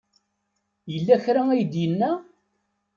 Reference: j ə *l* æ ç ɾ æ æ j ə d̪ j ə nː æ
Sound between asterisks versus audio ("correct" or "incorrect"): incorrect